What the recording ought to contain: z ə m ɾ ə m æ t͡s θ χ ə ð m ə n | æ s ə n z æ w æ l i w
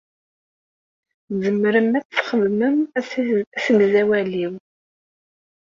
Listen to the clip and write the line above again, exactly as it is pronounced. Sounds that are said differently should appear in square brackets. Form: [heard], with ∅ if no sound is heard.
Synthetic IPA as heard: z ə m ɾ ə m æ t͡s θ χ ə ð m ə [m] | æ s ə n z æ w æ l i w